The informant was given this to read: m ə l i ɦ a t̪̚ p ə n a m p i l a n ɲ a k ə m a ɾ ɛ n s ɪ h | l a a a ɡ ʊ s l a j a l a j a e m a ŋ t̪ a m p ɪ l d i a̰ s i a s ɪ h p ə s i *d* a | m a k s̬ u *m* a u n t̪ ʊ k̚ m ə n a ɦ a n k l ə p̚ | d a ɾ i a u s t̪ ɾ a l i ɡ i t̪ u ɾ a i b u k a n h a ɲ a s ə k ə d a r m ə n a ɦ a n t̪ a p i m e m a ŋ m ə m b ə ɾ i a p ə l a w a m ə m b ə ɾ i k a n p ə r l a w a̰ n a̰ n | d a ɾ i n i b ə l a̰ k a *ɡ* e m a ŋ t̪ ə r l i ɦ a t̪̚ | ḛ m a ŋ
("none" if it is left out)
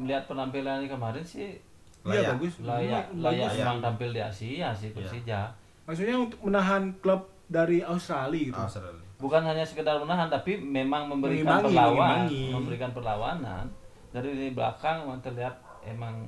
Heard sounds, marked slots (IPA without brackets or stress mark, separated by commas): d͡ʒ, ɲ, ŋ